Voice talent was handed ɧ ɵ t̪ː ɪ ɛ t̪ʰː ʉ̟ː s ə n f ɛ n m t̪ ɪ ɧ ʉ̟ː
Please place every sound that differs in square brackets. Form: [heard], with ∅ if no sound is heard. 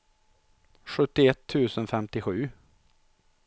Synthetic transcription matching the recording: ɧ ɵ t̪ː ɪ ɛ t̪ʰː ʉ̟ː s ə n f ɛ [∅] m t̪ ɪ ɧ ʉ̟ː